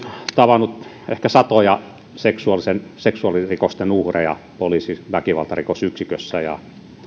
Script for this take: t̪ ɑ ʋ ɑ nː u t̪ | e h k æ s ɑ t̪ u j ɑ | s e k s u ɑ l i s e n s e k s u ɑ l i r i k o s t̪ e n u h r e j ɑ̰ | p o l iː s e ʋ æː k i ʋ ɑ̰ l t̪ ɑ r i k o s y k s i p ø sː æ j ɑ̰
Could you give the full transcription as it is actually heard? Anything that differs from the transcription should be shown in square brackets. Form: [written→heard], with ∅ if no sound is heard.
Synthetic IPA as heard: t̪ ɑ ʋ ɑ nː u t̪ | e h k æ s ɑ t̪ [u→o] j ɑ | s e k s u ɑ l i s e n s e k s u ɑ l i r i k o s t̪ e n u h r e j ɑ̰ | p o l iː s [e→i] ʋ [æː→æ] k i ʋ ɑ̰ l t̪ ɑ r i k o s y k s i [p→k] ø sː æ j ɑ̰